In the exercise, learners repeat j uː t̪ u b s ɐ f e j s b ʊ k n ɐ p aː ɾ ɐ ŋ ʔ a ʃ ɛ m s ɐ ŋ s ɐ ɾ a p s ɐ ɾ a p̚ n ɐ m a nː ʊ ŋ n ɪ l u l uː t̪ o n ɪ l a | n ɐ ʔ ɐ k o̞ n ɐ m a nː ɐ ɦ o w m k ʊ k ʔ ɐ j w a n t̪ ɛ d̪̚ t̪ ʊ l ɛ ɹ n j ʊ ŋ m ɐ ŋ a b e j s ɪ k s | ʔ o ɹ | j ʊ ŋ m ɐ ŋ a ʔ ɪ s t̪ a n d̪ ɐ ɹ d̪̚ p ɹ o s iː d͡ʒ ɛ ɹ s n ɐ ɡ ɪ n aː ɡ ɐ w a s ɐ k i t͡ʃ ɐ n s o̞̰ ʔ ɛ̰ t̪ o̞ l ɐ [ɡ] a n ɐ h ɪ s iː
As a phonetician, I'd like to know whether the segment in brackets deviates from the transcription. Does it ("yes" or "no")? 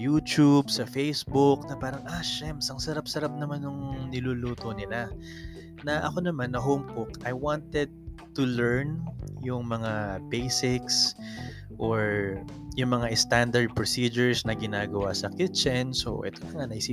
yes